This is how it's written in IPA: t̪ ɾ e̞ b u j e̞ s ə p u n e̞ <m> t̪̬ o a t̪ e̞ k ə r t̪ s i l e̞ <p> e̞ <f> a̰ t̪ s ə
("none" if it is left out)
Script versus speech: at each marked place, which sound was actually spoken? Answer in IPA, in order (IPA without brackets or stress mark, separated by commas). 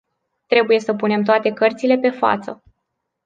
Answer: m, p, f